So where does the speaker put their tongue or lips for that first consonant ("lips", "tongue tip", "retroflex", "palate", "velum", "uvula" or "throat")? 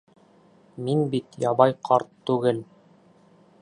lips